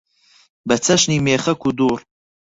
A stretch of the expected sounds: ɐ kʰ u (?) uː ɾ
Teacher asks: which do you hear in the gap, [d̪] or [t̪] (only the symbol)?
d̪